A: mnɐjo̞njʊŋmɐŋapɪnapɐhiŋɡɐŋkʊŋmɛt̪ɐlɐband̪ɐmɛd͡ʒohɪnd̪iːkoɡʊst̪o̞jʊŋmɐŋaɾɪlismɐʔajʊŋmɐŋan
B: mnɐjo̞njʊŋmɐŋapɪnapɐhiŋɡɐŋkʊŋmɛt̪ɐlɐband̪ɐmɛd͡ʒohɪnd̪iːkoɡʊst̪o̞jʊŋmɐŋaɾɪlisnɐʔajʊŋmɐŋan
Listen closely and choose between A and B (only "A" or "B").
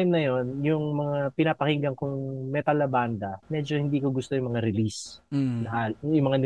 B